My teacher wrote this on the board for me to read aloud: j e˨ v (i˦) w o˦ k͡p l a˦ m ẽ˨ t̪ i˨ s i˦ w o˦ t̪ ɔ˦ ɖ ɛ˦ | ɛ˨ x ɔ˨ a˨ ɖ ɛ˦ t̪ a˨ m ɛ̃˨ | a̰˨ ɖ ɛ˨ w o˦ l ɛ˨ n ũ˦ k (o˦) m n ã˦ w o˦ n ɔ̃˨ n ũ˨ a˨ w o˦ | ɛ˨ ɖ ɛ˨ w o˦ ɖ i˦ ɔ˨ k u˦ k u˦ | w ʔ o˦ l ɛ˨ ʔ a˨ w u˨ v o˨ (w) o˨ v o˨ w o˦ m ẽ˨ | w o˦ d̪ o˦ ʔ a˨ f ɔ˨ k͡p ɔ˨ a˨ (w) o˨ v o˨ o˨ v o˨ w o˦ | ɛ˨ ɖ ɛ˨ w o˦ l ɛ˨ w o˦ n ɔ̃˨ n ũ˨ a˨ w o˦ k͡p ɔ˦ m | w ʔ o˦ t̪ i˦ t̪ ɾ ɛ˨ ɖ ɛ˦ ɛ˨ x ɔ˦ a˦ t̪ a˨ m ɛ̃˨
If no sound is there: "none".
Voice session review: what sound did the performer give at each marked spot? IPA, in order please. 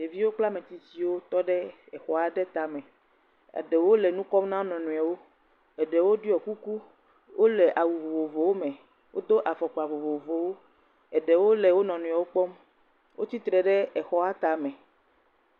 i˦, ɔ˦, v, v

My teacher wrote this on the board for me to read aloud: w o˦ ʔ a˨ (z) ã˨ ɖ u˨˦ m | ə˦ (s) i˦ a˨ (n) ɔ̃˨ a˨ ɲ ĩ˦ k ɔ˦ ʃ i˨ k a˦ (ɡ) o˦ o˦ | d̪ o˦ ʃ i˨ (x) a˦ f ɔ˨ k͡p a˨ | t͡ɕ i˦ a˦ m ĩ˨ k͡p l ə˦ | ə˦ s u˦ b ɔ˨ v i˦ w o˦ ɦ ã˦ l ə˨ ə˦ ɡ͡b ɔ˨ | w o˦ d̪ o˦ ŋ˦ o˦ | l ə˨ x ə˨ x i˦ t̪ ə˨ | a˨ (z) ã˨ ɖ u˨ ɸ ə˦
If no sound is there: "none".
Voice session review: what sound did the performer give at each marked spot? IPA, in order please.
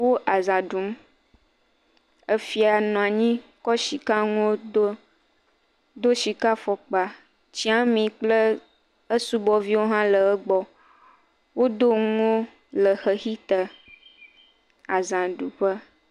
z, f, n, ŋ, k, z

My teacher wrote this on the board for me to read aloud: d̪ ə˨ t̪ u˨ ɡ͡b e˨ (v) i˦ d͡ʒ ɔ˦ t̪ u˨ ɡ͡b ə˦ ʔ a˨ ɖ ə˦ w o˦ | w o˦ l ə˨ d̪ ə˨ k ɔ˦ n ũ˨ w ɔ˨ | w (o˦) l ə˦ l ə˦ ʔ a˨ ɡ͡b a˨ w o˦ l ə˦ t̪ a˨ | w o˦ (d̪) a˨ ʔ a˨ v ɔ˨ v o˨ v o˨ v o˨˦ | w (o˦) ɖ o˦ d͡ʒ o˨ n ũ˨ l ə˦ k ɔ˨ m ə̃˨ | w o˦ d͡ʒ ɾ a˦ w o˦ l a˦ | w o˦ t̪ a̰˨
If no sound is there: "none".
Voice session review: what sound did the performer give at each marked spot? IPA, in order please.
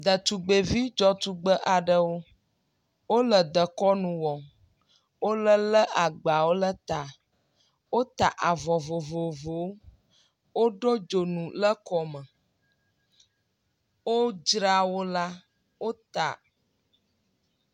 v, o˦, t̪, o˦

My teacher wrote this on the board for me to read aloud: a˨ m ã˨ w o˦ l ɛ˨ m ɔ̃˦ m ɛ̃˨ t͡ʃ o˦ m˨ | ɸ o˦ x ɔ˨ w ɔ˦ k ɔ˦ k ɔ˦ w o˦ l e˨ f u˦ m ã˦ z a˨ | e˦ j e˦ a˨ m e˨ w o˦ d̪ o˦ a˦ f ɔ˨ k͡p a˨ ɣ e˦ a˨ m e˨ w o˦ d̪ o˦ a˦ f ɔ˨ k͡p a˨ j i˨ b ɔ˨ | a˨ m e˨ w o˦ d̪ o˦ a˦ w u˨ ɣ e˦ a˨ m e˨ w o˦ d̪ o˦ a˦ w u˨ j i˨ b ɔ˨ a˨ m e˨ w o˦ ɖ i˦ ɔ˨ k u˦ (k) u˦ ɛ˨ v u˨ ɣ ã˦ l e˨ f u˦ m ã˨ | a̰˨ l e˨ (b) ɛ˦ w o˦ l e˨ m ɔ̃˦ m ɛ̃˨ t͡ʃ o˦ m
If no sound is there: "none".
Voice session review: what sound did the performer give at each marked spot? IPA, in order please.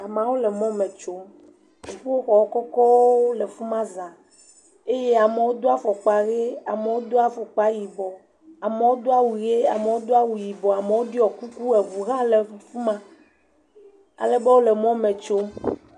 k, b

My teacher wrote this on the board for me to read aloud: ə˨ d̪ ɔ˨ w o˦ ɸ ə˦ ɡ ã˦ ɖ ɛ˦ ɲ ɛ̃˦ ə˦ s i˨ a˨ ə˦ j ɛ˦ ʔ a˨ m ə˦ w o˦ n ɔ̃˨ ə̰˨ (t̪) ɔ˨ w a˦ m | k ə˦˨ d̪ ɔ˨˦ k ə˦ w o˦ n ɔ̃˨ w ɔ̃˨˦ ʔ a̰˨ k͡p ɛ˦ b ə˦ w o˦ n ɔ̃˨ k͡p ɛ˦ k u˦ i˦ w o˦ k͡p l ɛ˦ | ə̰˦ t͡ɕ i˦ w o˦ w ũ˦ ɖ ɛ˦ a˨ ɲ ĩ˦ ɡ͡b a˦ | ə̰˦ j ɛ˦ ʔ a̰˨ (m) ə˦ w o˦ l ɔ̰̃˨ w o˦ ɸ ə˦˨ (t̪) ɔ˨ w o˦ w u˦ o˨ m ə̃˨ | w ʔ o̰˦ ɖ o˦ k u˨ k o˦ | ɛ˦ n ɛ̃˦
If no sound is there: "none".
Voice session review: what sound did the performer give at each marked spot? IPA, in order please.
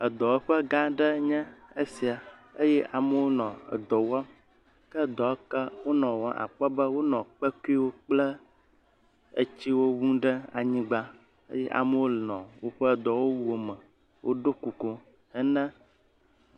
d̪, m, d̪

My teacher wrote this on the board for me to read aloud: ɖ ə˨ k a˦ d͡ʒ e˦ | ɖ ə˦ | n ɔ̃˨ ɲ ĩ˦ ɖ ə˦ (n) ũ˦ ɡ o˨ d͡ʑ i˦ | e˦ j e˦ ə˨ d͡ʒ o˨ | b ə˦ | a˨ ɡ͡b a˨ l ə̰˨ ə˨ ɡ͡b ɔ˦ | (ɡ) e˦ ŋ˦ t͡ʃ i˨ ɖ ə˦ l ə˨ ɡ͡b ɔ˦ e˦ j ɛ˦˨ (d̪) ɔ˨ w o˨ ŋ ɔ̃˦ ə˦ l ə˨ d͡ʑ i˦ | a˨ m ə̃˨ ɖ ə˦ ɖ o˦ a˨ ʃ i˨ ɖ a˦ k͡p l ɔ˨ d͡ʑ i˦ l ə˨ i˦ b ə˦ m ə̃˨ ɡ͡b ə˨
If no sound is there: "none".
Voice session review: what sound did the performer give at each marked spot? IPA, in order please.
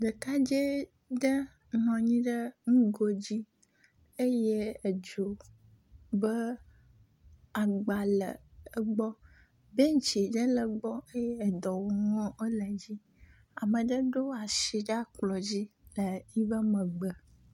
ŋ, b, d̪

